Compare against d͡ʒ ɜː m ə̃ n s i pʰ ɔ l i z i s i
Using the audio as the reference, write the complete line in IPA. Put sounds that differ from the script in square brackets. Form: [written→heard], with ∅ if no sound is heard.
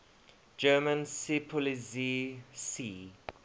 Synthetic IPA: d͡ʒ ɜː m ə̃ n s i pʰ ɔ l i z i s i